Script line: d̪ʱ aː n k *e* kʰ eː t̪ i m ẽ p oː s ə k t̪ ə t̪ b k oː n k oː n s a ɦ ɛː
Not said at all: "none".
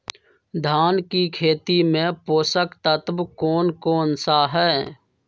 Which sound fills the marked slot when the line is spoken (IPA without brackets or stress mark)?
i